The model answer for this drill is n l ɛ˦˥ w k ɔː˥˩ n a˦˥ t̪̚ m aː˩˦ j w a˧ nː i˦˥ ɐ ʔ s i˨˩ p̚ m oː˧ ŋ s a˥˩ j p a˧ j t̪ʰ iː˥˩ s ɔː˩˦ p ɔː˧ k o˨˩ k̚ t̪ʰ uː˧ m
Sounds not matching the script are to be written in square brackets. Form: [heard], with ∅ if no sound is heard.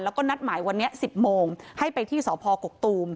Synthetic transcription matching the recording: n l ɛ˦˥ w k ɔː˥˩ n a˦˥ t̪̚ m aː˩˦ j w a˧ nː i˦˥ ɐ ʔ s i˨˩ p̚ m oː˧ ŋ [h] a˥˩ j p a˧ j t̪ʰ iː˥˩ s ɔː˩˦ [pʰ] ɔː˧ k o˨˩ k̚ [t̪] uː˧ m